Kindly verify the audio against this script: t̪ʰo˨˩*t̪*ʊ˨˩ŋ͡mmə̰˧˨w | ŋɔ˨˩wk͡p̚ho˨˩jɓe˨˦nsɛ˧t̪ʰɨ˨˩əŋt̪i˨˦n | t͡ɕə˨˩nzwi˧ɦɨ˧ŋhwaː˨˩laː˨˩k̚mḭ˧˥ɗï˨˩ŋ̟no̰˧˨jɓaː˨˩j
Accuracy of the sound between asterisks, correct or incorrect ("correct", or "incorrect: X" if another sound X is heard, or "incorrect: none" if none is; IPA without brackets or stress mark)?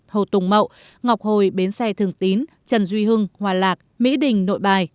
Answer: correct